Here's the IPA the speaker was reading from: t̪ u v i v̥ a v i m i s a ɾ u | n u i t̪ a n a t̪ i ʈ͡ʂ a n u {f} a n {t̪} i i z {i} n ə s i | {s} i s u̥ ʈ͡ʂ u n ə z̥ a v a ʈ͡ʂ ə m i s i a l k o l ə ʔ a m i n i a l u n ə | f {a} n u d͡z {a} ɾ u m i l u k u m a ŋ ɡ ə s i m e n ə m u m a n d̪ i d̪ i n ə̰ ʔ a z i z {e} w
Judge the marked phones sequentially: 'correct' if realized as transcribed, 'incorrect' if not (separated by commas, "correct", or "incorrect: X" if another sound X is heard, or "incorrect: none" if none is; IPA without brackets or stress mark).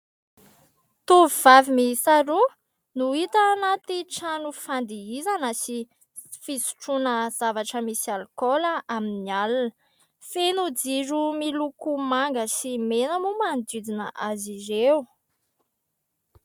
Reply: correct, incorrect: d̪, incorrect: a, incorrect: f, incorrect: e, incorrect: i, correct